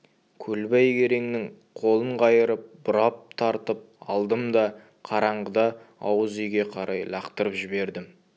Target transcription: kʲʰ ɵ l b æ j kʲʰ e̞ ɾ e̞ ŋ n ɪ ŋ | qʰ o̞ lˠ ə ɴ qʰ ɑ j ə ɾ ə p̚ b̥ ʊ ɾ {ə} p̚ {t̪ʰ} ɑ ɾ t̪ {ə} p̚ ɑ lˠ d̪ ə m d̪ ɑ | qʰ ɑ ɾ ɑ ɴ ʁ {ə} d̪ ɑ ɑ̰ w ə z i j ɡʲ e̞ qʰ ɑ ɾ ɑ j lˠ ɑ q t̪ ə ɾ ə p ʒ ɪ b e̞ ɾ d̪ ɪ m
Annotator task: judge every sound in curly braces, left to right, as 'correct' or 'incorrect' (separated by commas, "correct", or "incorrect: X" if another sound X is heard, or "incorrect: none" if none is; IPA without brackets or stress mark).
incorrect: ɑ, correct, correct, correct